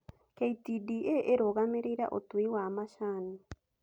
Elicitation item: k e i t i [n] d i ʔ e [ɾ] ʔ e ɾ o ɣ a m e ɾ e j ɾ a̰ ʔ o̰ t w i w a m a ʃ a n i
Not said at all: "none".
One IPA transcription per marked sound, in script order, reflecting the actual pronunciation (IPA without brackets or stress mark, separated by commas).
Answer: none, none